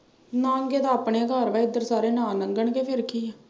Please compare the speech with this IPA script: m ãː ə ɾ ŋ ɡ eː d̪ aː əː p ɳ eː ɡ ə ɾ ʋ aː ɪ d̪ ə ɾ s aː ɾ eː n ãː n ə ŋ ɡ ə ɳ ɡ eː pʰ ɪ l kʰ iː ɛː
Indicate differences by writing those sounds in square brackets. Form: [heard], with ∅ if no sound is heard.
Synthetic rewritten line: [n] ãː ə [∅] ŋ ɡ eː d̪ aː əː p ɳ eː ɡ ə ɾ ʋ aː ɪ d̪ ə ɾ s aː ɾ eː n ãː n ə ŋ ɡ ə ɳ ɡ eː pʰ ɪ [ɾ] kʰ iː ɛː